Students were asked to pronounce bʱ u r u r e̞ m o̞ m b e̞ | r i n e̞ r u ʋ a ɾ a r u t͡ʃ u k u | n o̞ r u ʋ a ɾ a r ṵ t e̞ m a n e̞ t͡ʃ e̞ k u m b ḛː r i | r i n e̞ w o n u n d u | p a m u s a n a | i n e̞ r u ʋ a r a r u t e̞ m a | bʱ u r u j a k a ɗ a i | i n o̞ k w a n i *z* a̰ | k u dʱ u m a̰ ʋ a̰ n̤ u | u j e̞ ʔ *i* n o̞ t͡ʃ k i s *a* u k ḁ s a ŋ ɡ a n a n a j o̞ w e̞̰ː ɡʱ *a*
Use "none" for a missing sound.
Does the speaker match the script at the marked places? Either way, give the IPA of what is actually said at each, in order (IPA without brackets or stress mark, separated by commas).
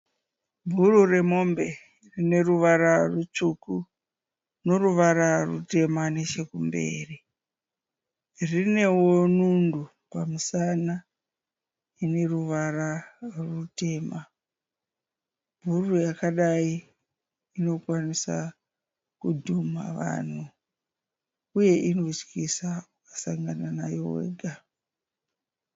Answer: s, i, a, a